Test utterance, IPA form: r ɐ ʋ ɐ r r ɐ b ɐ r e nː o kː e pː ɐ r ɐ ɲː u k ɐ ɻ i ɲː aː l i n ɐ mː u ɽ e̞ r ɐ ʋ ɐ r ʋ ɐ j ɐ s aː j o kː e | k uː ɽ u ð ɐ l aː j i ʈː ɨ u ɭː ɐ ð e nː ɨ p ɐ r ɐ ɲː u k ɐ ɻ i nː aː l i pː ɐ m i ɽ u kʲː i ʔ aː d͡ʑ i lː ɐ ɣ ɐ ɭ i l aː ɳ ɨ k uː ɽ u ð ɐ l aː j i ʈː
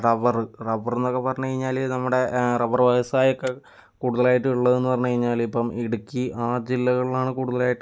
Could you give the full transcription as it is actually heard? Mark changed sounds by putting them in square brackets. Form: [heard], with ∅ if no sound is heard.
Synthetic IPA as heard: r ɐ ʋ ɐ r r ɐ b ɐ r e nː o kː e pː ɐ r ɐ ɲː u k ɐ ɻ i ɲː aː l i n ɐ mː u ɽ e̞ r ɐ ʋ ɐ r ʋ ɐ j ɐ s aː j o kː e | k uː ɽ u ð ɐ l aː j i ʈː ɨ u ɭː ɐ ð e nː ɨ p ɐ r ɐ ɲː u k ɐ ɻ i [ɲː] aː l i pː ɐ m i ɽ u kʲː i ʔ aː d͡ʑ i lː ɐ ɣ ɐ ɭ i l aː ɳ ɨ k uː ɽ u ð ɐ l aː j i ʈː